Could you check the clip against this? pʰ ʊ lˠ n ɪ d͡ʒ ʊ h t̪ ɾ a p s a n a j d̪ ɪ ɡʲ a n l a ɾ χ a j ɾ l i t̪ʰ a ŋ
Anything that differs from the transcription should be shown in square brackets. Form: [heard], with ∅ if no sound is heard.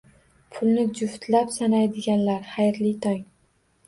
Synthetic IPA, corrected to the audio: pʰ ʊ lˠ n ɪ d͡ʒ ʊ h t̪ [l] a p s a n a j d̪ ɪ ɡʲ a n l a ɾ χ a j ɾ l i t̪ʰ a ŋ